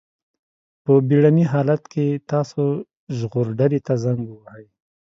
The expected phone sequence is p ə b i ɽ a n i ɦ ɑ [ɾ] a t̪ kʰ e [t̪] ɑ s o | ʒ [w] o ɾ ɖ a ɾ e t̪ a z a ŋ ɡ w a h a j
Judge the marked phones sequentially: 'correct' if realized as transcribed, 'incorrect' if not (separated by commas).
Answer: incorrect, correct, incorrect